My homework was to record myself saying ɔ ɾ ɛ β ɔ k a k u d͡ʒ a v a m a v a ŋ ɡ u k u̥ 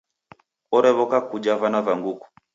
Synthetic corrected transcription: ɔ ɾ ɛ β ɔ k a k u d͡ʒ a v a n a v a ŋ ɡ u k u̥